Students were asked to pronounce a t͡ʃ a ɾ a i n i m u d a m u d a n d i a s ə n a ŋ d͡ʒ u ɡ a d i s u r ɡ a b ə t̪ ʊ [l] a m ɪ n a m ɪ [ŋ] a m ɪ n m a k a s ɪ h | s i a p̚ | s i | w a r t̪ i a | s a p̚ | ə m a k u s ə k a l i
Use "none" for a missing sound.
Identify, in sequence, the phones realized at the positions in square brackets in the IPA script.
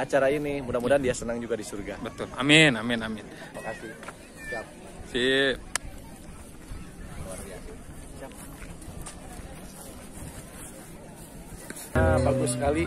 l, n

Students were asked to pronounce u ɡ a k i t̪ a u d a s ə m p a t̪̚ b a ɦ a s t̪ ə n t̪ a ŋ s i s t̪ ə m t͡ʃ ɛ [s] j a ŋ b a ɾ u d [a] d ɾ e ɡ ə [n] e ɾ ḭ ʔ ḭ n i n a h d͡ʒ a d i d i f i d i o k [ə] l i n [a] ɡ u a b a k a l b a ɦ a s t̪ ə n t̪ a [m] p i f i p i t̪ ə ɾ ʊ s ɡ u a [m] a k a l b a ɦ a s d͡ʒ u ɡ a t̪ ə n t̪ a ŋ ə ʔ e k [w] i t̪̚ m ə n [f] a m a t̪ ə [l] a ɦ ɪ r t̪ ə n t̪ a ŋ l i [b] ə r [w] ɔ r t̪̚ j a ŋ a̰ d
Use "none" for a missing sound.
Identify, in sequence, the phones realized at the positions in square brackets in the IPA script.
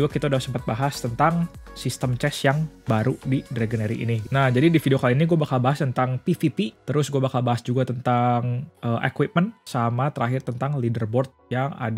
s, i, n, a, i, ŋ, b, w, s, ɾ, d, b

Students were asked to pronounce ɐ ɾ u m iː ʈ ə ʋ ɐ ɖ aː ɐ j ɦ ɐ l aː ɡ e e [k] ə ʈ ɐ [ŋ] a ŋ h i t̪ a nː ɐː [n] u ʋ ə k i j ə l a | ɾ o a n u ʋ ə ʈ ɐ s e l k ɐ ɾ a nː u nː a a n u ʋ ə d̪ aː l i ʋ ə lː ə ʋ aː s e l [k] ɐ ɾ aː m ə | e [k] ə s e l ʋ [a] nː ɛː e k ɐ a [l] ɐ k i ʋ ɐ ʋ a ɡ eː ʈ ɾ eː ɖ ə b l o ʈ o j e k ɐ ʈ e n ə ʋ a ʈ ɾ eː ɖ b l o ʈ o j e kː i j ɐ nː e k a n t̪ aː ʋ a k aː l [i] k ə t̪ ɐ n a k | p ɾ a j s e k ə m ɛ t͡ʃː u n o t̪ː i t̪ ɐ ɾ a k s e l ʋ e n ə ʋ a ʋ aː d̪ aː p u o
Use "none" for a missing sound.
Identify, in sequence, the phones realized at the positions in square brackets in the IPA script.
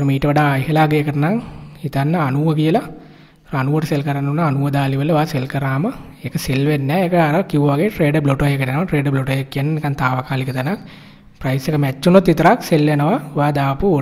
k, n, n, k, k, e, ɾ, i

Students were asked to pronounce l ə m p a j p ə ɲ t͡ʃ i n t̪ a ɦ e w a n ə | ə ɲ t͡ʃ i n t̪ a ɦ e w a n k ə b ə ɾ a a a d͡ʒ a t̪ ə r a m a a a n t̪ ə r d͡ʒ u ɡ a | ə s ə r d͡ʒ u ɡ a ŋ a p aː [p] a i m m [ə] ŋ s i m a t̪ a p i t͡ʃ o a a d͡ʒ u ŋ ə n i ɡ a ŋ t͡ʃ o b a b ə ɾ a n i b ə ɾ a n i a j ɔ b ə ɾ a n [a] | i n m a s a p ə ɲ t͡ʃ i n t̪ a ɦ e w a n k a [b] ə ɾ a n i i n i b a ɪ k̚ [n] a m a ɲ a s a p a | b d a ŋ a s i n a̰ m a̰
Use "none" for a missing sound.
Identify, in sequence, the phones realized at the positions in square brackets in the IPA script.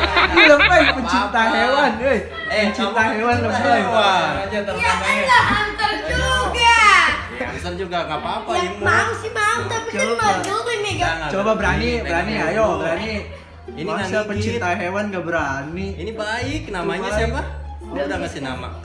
p, a, i, b, n

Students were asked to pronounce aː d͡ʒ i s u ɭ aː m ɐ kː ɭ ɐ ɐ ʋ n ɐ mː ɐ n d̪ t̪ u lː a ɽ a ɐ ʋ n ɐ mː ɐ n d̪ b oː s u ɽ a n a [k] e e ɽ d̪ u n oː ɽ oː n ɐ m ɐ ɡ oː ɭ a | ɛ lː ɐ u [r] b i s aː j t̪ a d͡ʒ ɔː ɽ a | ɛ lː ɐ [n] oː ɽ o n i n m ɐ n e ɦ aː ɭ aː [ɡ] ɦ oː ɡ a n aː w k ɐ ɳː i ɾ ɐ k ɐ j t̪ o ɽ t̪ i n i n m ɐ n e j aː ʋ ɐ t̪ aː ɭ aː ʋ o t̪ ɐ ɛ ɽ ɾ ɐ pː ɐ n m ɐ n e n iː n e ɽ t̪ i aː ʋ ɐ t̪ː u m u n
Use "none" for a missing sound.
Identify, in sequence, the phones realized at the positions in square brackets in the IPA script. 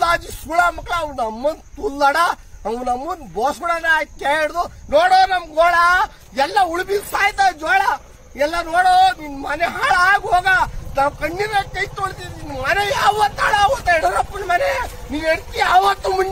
k, ɭ, n, ɡ

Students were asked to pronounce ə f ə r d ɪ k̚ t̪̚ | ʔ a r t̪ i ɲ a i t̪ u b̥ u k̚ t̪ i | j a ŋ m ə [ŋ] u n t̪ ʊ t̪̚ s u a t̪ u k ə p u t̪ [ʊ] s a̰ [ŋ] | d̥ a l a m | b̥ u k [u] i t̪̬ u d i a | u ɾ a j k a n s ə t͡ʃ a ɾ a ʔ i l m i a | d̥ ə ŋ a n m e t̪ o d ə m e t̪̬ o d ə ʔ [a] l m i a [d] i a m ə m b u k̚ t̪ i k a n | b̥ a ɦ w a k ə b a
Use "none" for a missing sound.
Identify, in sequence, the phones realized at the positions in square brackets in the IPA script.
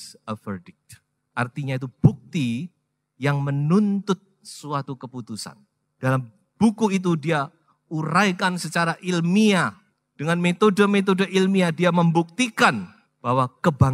n, u, n, u, i, d

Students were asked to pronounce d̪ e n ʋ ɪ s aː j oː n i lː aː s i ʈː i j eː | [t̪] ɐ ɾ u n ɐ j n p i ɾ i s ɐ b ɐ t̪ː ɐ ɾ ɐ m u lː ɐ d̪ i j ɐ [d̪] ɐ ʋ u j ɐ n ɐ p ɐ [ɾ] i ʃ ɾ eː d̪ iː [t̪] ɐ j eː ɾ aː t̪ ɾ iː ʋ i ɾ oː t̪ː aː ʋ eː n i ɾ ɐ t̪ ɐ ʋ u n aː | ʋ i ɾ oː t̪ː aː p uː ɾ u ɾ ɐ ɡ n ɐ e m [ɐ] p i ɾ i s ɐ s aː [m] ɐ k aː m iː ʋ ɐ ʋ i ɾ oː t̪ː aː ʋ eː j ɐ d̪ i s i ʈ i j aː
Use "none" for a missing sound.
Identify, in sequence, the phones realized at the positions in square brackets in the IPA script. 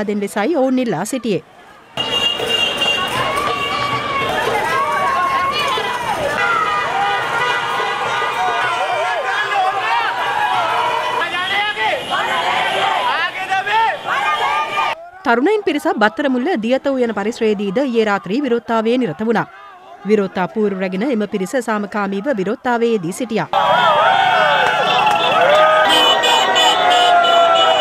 t̪, t̪, ɾ, d̪, ɐ, m

